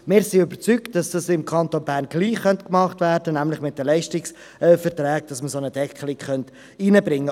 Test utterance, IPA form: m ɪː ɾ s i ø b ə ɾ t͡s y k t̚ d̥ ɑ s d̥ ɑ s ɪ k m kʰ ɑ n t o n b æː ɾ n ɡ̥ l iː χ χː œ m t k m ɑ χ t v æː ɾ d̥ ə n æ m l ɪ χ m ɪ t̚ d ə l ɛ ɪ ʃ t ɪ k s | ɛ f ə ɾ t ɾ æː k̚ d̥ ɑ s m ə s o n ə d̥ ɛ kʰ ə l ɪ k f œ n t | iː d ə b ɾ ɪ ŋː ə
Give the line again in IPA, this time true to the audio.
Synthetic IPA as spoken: m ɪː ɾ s i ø b ə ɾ t͡s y k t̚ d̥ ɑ s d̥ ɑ s ɪ m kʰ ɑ n t o n b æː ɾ n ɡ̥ l iː χ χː œ n t k m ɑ χ t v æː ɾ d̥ ə n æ m l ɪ χ m ɪ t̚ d ə l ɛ ɪ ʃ t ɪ k s | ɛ f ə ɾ t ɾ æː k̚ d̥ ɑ s m ə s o n ə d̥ ɛ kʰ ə l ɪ k χ œ n t | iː n ə b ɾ ɪ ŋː ə